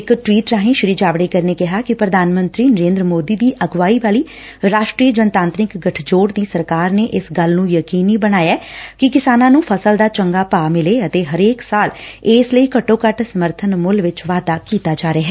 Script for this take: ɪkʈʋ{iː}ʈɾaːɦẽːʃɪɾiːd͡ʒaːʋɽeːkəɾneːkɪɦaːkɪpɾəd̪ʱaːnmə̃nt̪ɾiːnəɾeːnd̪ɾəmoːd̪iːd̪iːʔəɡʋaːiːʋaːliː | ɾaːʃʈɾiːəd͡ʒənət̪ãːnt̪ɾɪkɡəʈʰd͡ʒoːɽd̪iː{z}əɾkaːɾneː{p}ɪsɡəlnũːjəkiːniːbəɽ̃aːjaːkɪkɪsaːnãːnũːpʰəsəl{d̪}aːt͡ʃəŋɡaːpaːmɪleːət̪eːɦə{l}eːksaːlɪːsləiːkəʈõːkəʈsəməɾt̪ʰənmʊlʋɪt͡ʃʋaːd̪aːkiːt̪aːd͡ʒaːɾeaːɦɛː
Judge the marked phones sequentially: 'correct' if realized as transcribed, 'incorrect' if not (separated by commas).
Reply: correct, incorrect, incorrect, correct, incorrect